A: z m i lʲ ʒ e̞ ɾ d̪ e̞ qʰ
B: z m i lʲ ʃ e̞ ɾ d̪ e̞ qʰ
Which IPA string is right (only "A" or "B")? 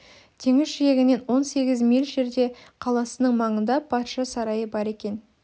A